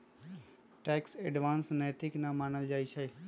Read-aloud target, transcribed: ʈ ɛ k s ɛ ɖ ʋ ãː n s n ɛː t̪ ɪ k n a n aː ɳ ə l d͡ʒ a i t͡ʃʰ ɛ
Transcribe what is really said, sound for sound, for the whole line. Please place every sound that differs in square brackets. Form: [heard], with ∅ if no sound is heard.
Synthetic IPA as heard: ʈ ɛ k s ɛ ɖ ʋ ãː n s n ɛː t̪ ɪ k n a [m] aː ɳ ə l d͡ʒ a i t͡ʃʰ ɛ